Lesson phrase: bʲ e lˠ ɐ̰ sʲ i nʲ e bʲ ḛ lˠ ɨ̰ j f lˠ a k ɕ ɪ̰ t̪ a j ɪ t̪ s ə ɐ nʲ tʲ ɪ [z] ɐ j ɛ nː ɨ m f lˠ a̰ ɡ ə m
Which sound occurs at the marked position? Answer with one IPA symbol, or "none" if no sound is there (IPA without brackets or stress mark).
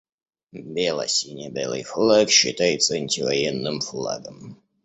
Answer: v